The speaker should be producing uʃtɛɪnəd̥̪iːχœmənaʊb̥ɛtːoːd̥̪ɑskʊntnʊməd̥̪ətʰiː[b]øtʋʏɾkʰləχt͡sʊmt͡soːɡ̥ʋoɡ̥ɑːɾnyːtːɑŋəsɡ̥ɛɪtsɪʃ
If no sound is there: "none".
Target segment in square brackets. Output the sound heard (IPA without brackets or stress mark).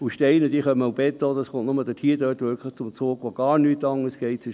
d